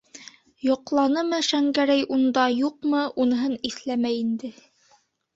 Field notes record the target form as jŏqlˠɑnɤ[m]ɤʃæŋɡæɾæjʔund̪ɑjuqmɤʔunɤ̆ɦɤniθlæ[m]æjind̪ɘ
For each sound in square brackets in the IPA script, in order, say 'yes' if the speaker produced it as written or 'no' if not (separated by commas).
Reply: yes, yes